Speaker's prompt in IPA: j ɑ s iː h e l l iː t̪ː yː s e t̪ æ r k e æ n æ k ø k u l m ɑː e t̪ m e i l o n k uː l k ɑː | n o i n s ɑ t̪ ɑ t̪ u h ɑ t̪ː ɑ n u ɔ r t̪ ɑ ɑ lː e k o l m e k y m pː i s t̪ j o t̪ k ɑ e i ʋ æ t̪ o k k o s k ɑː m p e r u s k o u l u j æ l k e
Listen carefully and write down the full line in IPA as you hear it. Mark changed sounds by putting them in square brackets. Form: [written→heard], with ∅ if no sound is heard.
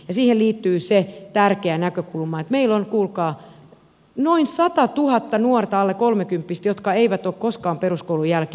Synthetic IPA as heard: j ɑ s iː h e l l iː t̪ː yː s e t̪ æ r k e æ n æ k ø k u l m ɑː e t̪ m e i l o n k uː l k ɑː | n o i n s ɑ t̪ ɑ t̪ u h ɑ t̪ː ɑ n u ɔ r t̪ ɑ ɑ lː e k o l m e k y m pː i s t̪ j o t̪ k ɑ e i ʋ æ t̪ o k k o s k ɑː m p e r u s k o u l u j æ l k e